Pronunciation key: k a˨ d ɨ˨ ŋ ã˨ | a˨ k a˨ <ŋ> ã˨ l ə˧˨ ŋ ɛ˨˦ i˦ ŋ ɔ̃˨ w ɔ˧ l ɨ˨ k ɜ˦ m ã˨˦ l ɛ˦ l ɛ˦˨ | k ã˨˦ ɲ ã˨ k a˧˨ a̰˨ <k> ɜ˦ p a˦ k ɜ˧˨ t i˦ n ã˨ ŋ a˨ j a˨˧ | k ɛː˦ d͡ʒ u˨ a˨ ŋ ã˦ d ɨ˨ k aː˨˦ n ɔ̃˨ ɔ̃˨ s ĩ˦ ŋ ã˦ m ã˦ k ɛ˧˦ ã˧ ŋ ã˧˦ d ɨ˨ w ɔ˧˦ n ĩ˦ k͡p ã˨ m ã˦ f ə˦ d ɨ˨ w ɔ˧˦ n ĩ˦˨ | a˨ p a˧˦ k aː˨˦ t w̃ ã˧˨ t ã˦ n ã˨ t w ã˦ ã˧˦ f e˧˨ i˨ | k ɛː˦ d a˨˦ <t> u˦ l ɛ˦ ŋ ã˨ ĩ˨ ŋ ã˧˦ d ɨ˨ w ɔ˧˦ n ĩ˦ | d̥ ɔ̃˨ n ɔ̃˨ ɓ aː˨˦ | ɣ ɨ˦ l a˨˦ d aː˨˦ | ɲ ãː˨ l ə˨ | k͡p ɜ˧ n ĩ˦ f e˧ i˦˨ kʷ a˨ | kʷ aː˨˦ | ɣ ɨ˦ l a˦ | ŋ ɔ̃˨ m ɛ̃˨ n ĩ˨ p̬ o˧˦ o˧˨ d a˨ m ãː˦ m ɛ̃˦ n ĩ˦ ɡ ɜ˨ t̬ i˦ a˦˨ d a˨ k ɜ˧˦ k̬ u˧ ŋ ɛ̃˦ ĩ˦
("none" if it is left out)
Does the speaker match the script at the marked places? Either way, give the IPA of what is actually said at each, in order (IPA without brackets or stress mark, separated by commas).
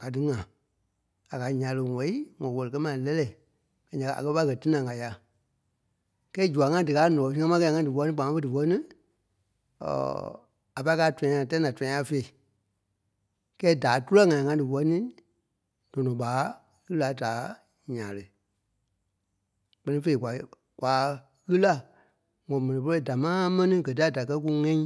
ɲ, k, t